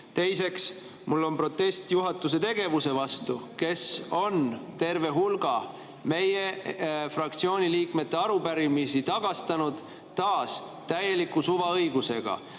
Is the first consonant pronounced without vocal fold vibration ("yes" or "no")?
yes